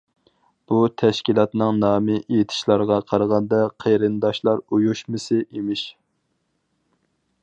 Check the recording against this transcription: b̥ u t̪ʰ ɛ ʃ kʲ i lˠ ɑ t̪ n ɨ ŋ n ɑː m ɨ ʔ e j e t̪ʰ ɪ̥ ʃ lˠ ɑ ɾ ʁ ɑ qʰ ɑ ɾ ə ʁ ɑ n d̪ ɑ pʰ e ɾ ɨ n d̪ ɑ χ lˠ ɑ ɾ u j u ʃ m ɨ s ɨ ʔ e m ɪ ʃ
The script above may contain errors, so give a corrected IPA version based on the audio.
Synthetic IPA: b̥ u t̪ʰ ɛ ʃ kʲ i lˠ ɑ t̪ n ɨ ŋ n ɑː m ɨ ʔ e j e t̪ʰ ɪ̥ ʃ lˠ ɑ ɾ ʁ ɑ qʰ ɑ ɾ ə ʁ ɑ n d̪ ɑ qʰ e ɾ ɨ n d̪ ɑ ʃ lˠ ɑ ɾ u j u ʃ m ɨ s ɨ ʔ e m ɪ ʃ